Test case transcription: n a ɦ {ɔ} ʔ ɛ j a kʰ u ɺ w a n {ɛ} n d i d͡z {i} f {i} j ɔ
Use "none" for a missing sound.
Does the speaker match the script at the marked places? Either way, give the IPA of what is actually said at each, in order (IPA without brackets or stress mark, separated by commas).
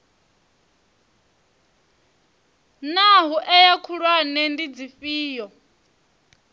u, ɛ, i, iː